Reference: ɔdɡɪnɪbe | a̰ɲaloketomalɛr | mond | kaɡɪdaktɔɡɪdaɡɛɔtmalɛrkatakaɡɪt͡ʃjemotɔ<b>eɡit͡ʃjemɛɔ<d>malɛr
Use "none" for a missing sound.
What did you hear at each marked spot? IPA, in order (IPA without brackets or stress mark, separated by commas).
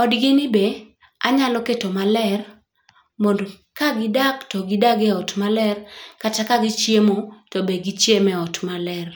b, t